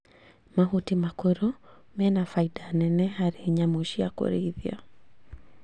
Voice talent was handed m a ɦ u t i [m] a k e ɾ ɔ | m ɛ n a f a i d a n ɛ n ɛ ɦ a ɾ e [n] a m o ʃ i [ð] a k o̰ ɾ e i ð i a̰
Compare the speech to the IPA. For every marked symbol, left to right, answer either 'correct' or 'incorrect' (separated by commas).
correct, incorrect, incorrect